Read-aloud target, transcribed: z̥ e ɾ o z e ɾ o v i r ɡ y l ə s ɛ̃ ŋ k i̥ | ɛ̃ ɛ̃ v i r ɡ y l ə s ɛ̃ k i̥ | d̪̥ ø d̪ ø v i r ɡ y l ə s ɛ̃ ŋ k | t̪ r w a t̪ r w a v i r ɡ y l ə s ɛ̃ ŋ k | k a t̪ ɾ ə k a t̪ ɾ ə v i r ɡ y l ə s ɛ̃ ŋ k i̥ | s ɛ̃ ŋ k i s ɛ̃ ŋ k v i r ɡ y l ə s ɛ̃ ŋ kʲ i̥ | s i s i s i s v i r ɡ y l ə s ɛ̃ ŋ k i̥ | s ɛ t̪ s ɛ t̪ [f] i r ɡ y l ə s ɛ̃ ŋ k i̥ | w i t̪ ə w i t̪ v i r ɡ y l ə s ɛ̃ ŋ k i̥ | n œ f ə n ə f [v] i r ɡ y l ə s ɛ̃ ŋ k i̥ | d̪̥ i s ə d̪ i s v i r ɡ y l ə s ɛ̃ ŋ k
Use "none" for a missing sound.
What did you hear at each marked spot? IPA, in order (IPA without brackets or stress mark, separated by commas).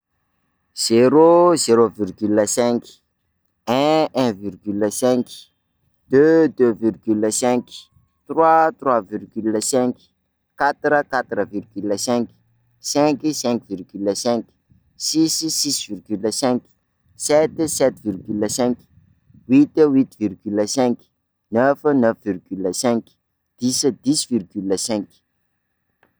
v, v